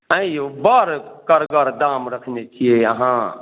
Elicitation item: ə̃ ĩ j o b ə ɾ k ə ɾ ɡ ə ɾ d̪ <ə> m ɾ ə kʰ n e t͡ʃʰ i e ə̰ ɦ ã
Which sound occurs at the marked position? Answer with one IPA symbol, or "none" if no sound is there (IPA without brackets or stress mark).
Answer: a